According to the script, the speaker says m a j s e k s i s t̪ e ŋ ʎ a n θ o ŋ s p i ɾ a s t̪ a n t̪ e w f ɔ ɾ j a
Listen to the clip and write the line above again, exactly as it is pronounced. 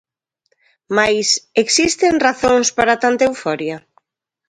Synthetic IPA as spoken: m a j s e k s i s t̪ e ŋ r a θ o ŋ s p a ɾ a t̪ a n t̪ e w f ɔ ɾ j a